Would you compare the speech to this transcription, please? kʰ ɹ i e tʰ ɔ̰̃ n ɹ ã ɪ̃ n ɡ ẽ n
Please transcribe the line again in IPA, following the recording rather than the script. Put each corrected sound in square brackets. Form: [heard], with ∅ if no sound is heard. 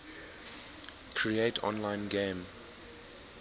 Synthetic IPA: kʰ ɹ i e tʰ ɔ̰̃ n [l] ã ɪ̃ n ɡ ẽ [m]